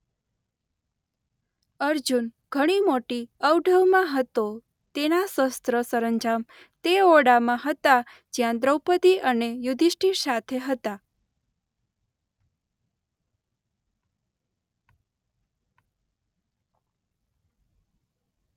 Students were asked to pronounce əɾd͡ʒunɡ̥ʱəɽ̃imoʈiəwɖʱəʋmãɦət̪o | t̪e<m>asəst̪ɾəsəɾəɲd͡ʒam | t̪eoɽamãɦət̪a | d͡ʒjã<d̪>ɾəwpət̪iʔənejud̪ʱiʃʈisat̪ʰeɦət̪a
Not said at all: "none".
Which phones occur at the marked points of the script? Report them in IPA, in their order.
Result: n, d̪

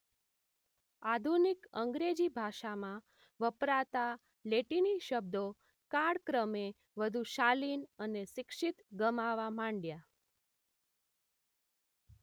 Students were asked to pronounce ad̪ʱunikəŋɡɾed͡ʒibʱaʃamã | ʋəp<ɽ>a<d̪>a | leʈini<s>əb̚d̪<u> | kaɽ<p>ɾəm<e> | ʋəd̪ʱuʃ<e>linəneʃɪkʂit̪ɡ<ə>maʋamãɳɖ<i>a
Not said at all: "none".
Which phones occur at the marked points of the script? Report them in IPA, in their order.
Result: ɾ, t̪, ʃ, o, k, e, a, ə, j

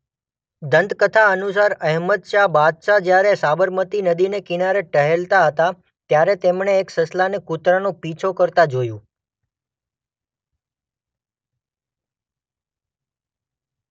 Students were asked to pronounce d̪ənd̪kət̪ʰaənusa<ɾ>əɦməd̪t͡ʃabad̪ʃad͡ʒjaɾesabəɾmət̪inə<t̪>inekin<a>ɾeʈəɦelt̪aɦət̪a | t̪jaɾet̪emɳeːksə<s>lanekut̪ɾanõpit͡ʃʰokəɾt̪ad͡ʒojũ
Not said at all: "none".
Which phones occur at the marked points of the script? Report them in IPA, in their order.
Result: ɾ, d̪, a, s

